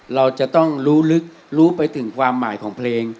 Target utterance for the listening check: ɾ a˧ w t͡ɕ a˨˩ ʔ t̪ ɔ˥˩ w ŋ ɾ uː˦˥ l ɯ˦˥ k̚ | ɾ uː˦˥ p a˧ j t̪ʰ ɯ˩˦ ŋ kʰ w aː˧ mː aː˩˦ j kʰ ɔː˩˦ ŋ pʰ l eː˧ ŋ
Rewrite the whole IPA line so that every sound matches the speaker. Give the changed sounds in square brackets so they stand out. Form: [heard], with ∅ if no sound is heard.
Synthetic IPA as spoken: ɾ a˧ w t͡ɕ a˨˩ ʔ t̪ ɔ˥˩ [∅] ŋ ɾ uː˦˥ l ɯ˦˥ k̚ | ɾ uː˦˥ p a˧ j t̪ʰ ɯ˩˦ ŋ kʰ w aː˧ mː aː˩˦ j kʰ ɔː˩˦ ŋ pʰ l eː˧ ŋ